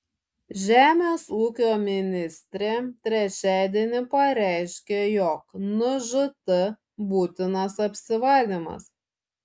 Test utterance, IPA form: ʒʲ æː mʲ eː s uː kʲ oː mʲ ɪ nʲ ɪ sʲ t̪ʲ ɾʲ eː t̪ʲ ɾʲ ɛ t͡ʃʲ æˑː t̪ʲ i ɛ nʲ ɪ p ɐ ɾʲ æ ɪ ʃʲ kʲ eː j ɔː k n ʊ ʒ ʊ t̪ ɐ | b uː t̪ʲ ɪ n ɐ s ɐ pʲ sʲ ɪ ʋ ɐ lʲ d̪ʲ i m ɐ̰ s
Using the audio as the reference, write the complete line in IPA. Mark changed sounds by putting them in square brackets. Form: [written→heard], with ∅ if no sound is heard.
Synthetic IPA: ʒʲ æː mʲ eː s uː kʲ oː mʲ ɪ nʲ ɪ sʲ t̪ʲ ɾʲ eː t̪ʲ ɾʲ ɛ t͡ʃʲ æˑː [t̪ʲ→d̪ʲ] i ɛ nʲ ɪ p ɐ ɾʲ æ ɪ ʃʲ kʲ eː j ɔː k n ʊ ʒ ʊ t̪ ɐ | b uː t̪ʲ ɪ n ɐ s ɐ pʲ sʲ ɪ ʋ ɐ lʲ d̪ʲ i m ɐ̰ s